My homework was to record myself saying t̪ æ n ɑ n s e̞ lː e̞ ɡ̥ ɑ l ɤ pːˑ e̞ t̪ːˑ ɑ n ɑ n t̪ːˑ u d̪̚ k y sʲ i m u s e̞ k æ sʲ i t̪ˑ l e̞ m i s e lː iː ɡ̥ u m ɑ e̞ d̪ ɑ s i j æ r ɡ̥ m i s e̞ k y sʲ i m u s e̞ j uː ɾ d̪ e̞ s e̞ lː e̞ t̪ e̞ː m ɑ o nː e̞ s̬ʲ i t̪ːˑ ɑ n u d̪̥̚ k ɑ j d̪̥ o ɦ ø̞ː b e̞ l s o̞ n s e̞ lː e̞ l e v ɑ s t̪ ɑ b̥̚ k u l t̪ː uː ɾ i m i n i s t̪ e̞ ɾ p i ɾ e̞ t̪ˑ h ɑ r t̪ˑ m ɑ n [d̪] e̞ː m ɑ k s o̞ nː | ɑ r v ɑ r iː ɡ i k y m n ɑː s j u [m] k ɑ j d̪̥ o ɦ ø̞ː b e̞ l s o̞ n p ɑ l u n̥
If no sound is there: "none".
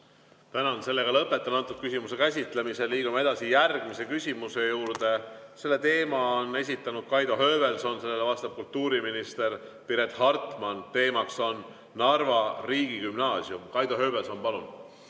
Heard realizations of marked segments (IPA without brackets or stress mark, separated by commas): t̪, m